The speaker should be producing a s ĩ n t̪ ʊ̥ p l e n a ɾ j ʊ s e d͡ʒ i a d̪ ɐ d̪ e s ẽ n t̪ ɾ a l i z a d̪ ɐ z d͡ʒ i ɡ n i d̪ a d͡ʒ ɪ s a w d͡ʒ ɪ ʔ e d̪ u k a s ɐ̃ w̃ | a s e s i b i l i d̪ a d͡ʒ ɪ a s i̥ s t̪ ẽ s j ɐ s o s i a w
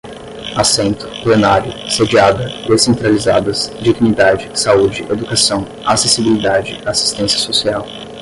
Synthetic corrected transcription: a s ẽ n t̪ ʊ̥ p l e n a ɾ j ʊ s e d͡ʒ i a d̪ ɐ d̪ e s ẽ n t̪ ɾ a l i z a d̪ ɐ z d͡ʒ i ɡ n i d̪ a d͡ʒ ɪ s a u d͡ʒ ɪ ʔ e d̪ u k a s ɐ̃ w̃ | a s e s i b i l i d̪ a d͡ʒ ɪ a s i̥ s t̪ ẽ s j ɐ s o s i a w

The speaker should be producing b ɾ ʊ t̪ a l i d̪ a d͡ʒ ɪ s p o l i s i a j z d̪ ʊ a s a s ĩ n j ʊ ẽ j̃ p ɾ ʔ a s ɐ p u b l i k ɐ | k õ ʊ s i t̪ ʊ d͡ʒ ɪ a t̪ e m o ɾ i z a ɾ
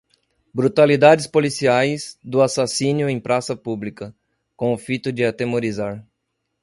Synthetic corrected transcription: b ɾ u t̪ a l i d̪ a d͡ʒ ɪ s p o l i s i a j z d̪ ʊ a s a s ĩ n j ʊ ẽ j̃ p ɾ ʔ a s ɐ p u b l i k ɐ | k õ ʊ f i t̪ ʊ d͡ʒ ɪ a t̪ e m o ɾ i z a ɾ

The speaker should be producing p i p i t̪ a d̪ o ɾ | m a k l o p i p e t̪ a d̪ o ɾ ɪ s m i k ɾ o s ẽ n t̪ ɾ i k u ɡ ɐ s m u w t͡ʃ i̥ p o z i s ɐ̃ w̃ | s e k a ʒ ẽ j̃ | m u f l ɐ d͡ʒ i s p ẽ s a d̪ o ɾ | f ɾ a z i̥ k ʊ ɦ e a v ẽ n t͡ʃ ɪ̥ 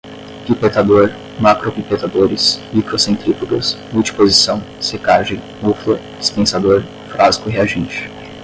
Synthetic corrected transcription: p i p e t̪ a d̪ o ɾ | m a k ɾ o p i p e t̪ a d̪ o ɾ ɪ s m i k ɾ o s ẽ n t̪ ɾ i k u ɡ ɐ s m u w t͡ʃ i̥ p o z i s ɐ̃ w̃ | s e k a ʒ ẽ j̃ | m u f l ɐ d͡ʒ i s p ẽ s a d̪ o ɾ | f ɾ a z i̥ k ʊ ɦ e a ʒ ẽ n t͡ʃ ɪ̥

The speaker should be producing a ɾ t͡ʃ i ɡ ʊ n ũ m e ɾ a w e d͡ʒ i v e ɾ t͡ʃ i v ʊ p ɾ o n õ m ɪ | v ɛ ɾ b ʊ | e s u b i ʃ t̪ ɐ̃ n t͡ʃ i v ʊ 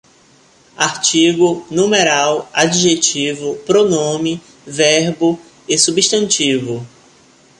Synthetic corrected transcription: a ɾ t͡ʃ i ɡ ʊ n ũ m e ɾ a w a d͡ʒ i ʒ e t͡ʃ i v ʊ p ɾ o n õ m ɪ | v ɛ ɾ b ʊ | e s u b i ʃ t̪ ɐ̃ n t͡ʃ i v ʊ

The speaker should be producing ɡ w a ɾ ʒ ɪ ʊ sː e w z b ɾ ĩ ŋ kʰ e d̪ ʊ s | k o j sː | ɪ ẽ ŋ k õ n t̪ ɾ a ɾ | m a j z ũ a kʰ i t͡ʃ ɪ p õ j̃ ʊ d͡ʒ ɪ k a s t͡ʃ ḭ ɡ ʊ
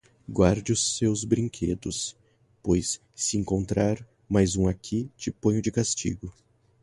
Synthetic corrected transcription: ɡ w a ɾ d͡ʒ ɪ ʊ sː e w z b ɾ ĩ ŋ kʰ e d̪ ʊ s | p o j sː | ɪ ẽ ŋ k õ n t̪ ɾ a ɾ | m a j z ũ a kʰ i t͡ʃ ɪ p õ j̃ ʊ d͡ʒ ɪ k a s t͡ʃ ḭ ɡ ʊ

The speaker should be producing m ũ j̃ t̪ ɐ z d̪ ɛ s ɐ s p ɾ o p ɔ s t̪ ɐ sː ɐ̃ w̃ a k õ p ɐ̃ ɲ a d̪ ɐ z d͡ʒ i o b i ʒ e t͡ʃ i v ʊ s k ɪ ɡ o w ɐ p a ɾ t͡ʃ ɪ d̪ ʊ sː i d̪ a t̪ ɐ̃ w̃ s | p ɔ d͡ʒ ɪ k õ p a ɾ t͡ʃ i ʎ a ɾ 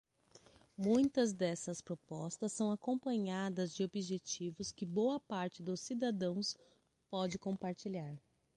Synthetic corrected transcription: m ũ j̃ t̪ ɐ z d̪ ɛ s ɐ s p ɾ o p ɔ s t̪ ɐ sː ɐ̃ w̃ a k õ p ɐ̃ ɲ a d̪ ɐ z d͡ʒ ɪ o b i ʒ e t͡ʃ i v ʊ s k ɪ b o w ɐ p a ɾ t͡ʃ ɪ d̪ ʊ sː i d̪ a d̪ ɐ̃ w̃ s | p ɔ d͡ʒ ɪ k õ p a ɾ t͡ʃ i ʎ a ɾ

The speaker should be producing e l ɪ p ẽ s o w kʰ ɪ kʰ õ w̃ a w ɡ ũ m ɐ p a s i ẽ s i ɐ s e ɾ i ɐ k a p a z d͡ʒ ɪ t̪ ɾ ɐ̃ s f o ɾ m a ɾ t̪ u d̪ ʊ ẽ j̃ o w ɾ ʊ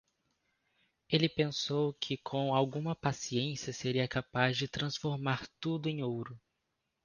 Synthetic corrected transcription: e l ɪ p ẽ s o w kʰ ɪ kʰ õ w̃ a w ɡ ũ m ɐ p a s i ẽ s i ɐ s e ɾ i ɐ k a p a z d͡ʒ ɪ t̪ ɾ ɐ̃ s f o ɾ m a ɾ t̪ u d̪ ʊ ẽ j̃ o w ɾ ʊ

